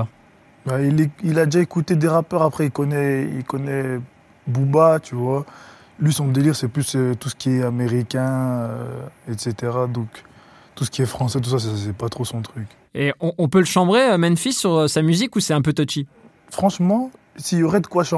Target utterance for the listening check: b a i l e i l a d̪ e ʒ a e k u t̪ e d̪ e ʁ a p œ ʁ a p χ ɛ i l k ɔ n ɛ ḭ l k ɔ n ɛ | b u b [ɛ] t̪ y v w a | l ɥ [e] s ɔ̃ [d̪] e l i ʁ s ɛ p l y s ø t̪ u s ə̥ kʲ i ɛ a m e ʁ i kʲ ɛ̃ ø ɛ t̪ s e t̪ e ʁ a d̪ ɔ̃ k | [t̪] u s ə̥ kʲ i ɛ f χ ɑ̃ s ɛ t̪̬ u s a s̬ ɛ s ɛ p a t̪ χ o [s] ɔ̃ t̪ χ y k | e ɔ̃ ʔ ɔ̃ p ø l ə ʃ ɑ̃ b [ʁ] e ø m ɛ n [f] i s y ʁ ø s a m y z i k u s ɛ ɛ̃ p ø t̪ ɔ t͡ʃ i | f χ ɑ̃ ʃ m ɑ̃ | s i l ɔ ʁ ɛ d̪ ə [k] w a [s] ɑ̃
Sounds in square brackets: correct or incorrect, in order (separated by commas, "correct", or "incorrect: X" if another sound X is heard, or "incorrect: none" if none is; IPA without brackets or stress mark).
incorrect: a, incorrect: i, correct, correct, correct, correct, correct, correct, incorrect: ʃ